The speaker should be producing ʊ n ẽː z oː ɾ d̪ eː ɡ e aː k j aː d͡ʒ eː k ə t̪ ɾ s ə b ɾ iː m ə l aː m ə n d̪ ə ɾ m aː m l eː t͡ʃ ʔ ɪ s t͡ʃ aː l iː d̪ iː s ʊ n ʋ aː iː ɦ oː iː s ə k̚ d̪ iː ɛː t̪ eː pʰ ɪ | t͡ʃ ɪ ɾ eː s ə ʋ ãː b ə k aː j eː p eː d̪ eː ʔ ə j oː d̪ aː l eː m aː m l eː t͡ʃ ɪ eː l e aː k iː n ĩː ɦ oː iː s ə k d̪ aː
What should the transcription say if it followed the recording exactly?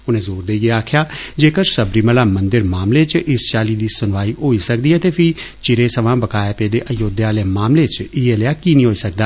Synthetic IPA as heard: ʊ n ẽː z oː ɾ d̪ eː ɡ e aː kʰ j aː d͡ʒ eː k ə ɾ s ə b ɾ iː m ə l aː m ə n d̪ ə ɾ m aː m l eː t͡ʃ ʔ ɪ s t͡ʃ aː l iː d̪ iː s ʊ n ʋ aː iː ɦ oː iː s ə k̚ d̪ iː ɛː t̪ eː pʰ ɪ | t͡ʃ ɪ ɾ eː s ə ʋ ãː b ə k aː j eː p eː d̪ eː ʔ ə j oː d̪ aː l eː m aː m l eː t͡ʃ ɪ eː l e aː k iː n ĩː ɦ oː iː s ə k d̪ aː